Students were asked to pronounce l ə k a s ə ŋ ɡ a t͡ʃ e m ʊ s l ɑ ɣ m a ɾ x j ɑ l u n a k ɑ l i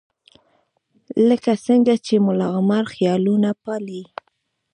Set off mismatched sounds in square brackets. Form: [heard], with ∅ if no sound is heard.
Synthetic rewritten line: l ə k a s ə ŋ ɡ a t͡ʃ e m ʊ [∅] l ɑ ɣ m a ɾ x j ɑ l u n a [p] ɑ l i